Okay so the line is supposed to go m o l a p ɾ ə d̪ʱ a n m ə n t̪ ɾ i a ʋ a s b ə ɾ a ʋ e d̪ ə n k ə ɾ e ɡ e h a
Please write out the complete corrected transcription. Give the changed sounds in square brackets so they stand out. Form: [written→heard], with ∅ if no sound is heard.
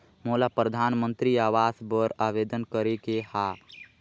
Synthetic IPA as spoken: m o l a p ɾ ə d̪ʱ a n m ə n t̪ ɾ i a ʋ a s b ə ɾ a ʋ e d̪ ə n k ə ɾ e [ɡ→k] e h a

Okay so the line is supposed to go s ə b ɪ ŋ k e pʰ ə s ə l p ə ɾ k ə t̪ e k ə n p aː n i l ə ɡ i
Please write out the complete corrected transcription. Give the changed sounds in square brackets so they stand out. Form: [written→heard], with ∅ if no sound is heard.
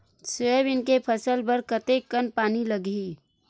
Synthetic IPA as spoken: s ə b ɪ [ŋ→n] k e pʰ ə s ə l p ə ɾ k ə t̪ e k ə n p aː n i l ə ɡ i

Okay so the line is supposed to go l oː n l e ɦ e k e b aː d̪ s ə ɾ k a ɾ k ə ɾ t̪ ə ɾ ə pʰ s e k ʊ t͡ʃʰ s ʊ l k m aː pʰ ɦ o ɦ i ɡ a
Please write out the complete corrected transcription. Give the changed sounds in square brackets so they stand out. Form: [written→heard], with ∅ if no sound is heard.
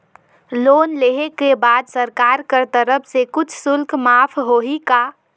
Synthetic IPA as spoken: l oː n l e ɦ e k e b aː d̪ s ə ɾ k a ɾ k ə ɾ t̪ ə ɾ ə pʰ s e k ʊ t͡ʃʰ s ʊ l k m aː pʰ ɦ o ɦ i [ɡ→k] a

